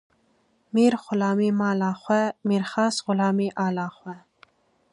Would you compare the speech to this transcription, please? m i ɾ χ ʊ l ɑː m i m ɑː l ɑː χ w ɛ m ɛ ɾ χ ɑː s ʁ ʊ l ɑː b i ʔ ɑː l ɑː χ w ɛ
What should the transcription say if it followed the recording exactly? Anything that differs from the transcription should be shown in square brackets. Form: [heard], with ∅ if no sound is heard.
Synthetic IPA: m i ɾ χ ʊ l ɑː m i m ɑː l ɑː χ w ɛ m [i] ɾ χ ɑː s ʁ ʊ l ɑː [m] i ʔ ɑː l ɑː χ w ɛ